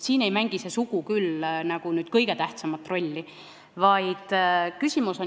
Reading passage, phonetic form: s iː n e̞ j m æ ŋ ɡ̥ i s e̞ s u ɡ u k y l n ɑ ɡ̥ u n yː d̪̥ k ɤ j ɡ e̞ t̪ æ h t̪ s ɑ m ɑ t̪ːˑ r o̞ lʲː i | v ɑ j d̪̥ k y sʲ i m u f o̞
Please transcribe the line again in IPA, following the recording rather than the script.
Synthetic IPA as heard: s iː n e̞ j m æ ŋ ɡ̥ i s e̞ s u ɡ u k y l n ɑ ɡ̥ u n yː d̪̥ k ɤ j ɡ e̞ t̪ æ h t̪ s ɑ m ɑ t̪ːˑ r o̞ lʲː i | v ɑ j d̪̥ k y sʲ i m u s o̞